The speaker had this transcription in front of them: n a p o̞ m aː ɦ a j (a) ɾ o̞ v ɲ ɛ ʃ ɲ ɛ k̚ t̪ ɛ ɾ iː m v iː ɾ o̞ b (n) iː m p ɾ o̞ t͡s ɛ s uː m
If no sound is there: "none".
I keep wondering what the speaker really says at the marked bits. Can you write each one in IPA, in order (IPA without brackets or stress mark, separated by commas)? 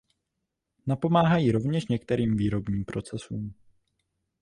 i, ɲ